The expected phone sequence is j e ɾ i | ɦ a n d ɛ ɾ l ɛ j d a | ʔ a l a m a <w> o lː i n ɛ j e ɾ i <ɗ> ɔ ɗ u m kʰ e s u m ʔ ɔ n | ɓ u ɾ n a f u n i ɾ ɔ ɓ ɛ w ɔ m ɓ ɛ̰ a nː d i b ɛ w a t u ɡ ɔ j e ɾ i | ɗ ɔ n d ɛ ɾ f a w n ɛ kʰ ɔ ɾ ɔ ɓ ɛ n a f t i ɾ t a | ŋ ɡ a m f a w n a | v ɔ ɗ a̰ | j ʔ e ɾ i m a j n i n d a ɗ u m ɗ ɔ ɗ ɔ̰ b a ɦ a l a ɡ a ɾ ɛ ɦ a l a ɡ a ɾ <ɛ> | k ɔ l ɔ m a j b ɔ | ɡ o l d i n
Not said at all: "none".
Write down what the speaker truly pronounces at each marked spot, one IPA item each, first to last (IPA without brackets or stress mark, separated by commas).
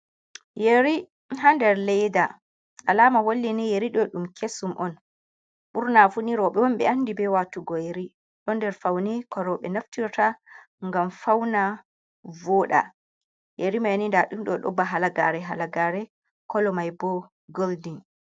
w, ɗ, ɛ